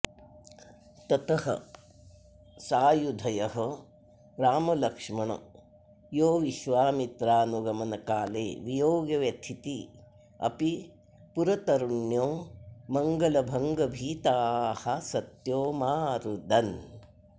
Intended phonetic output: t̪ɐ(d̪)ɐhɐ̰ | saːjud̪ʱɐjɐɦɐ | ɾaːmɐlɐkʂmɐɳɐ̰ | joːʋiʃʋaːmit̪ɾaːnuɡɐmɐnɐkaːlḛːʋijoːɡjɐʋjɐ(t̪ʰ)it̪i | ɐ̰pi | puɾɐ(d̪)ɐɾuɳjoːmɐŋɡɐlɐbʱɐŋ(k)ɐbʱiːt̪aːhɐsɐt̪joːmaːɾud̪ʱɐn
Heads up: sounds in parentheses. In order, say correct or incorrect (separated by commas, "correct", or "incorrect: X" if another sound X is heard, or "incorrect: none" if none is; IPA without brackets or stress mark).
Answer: incorrect: t̪, correct, incorrect: t̪, incorrect: ɡ